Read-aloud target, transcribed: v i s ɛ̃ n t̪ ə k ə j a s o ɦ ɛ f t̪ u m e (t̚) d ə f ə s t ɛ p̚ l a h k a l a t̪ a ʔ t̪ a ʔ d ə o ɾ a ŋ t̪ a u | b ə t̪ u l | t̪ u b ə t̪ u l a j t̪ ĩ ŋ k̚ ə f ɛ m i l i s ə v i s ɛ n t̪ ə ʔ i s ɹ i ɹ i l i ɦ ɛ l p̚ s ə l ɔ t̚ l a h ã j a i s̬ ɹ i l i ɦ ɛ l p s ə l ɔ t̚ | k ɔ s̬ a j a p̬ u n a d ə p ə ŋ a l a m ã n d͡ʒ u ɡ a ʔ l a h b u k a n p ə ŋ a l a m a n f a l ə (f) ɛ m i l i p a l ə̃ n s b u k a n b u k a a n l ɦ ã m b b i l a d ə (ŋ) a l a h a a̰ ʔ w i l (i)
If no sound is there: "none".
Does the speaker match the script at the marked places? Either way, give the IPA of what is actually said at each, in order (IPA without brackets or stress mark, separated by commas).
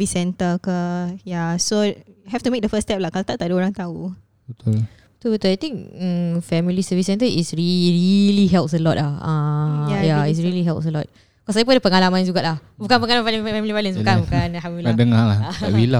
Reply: k̚, f, ŋ, a